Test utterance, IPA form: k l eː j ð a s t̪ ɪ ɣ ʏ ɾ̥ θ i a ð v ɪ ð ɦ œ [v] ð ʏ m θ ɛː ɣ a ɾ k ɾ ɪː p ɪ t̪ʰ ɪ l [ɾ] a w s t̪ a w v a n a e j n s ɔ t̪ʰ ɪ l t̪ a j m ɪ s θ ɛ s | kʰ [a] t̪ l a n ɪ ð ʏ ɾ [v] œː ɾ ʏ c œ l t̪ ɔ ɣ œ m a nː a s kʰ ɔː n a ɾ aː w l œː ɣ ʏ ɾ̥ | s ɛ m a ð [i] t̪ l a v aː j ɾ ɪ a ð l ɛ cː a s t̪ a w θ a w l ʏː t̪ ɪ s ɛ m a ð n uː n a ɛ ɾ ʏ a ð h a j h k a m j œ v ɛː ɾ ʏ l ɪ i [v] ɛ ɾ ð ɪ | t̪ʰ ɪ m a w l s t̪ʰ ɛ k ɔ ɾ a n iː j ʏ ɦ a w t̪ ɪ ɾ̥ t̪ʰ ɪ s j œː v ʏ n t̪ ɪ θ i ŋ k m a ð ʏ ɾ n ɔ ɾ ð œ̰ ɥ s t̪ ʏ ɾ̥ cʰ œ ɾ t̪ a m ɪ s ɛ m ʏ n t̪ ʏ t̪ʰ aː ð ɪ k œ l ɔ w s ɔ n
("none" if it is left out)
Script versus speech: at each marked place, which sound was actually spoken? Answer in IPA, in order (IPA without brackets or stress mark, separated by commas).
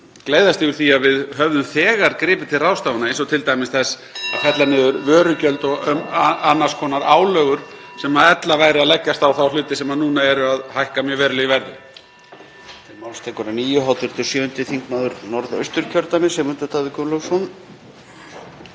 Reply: v, r, ɛ, v, ɛ, v